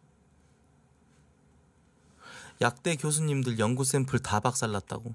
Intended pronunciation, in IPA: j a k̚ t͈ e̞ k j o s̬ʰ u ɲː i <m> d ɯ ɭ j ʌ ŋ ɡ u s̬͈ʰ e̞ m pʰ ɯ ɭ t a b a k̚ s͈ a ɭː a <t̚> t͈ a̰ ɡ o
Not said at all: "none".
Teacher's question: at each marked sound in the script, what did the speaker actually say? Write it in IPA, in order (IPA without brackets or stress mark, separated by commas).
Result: m, t̚